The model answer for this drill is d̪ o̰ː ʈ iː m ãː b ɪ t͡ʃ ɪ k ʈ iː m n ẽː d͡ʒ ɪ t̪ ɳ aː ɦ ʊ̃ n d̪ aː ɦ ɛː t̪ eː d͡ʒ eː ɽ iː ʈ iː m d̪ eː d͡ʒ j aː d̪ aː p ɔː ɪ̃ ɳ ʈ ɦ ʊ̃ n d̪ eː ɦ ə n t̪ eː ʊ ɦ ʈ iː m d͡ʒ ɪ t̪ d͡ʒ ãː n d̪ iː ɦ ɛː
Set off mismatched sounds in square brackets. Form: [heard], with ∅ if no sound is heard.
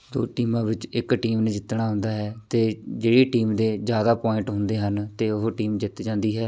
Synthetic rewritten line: d̪ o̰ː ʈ iː m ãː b ɪ t͡ʃ ɪ k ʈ iː m n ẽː d͡ʒ ɪ t̪ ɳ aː ɦ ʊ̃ n d̪ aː ɦ ɛː t̪ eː d͡ʒ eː ɽ iː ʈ iː m d̪ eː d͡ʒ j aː d̪ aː p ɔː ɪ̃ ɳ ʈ ɦ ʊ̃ n d̪ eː ɦ ə n t̪ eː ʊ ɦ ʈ iː m d͡ʒ ɪ t̪ d͡ʒ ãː n d̪ iː ɦ ɛː